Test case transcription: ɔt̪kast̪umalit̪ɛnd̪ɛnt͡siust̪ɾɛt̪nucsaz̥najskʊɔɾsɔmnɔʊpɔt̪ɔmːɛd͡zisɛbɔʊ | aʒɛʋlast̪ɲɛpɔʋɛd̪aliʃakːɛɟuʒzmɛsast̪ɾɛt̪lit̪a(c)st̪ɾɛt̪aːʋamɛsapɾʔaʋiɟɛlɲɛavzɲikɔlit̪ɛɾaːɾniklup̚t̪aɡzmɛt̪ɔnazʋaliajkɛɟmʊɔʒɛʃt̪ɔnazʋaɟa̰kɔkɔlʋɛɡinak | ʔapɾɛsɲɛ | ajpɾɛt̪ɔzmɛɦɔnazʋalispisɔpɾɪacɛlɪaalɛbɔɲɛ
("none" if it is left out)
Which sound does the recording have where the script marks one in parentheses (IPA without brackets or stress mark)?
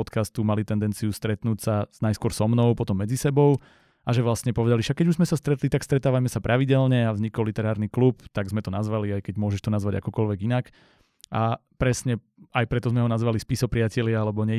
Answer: k